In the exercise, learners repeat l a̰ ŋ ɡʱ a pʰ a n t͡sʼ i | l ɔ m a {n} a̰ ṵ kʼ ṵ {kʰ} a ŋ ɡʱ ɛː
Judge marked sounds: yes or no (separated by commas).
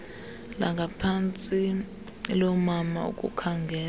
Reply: no, yes